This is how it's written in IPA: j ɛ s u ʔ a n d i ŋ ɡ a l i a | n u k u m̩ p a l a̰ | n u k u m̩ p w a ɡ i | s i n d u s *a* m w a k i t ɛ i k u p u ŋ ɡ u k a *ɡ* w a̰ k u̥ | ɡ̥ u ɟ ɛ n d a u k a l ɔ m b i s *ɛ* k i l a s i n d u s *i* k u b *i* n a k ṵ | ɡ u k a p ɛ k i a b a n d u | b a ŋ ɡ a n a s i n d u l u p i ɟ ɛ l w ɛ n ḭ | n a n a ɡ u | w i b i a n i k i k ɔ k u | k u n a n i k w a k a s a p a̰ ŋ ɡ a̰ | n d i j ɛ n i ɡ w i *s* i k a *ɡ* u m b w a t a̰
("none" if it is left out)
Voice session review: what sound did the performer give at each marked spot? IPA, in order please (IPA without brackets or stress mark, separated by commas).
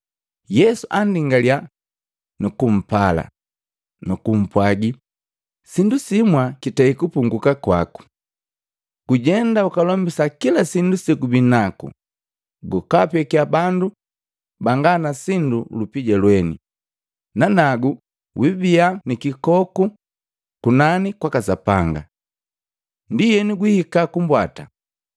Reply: i, k, a, i, i, h, k